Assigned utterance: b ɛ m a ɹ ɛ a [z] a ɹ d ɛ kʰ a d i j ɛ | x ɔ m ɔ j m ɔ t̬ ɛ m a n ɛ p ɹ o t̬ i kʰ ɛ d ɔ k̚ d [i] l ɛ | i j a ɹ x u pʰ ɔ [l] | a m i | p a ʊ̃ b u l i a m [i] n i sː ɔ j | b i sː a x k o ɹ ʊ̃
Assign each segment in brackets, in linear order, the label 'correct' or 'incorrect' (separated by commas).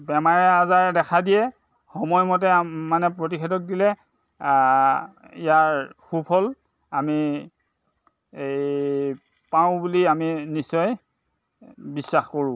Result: correct, correct, correct, correct